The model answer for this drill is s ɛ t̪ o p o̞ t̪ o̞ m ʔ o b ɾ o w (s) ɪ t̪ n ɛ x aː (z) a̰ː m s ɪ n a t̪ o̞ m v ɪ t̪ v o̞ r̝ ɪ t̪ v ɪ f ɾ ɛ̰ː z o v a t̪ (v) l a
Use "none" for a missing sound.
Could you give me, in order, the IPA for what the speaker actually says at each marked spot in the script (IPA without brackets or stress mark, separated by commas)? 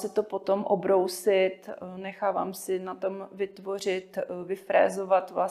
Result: s, v, v